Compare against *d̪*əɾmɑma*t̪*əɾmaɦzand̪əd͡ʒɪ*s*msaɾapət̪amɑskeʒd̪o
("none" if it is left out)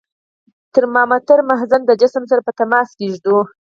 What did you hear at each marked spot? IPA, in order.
t̪, t̪, s

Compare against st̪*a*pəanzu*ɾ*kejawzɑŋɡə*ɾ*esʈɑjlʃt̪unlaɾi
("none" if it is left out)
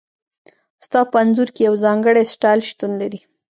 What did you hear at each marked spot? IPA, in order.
ɑ, ɾ, ɽ

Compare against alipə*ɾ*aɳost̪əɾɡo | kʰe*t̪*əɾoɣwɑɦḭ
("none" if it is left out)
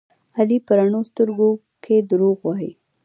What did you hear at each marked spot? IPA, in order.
ɾ, d̪

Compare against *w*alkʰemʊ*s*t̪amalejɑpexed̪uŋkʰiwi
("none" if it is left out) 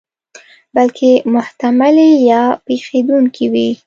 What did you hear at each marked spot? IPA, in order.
b, h

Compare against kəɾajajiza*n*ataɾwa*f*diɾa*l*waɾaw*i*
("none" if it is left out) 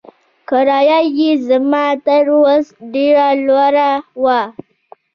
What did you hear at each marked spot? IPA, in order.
m, s, l, a

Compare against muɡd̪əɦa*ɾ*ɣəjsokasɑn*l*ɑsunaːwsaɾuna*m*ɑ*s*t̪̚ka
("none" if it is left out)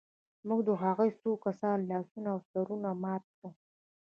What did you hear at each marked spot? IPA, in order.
none, l, m, none

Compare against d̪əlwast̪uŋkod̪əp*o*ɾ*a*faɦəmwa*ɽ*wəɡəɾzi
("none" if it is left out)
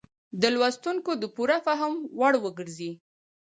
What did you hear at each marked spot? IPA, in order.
u, a, ɽ

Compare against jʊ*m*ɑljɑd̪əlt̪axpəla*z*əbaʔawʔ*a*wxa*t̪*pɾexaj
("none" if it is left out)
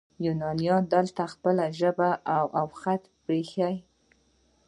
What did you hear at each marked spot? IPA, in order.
n, ʒ, a, t̪

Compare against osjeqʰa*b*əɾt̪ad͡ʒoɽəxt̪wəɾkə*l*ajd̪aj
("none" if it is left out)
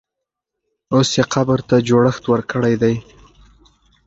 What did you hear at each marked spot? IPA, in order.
b, ɽ

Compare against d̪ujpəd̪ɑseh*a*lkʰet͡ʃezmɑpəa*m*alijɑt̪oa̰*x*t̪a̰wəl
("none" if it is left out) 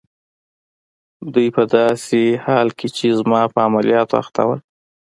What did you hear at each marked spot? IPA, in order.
ɑ, m, x

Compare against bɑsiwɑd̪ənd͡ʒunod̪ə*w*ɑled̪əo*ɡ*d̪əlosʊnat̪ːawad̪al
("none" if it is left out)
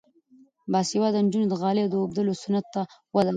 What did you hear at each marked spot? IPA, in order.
ɣ, b

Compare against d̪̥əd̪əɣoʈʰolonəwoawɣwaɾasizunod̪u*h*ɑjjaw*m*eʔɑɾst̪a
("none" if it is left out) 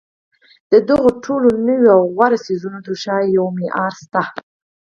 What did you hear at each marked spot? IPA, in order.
ʃ, m

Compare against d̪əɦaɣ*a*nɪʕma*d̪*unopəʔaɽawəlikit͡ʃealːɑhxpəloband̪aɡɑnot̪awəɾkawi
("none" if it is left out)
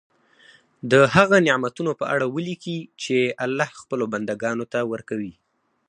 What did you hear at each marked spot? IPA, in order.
a, t̪

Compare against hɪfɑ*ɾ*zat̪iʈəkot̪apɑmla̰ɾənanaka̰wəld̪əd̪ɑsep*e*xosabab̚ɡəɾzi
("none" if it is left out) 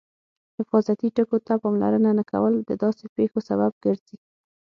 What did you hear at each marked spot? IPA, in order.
none, e

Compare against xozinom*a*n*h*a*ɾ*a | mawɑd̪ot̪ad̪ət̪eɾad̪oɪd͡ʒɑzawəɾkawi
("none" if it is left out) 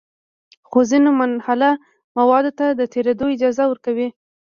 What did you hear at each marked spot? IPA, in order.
a, h, l

